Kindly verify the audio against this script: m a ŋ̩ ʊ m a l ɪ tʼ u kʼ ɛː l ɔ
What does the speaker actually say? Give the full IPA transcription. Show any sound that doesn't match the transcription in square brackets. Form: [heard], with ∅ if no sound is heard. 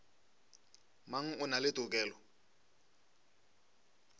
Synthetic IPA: m a ŋ̩ ʊ [n] a l ɪ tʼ [ʊ] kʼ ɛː l ɔ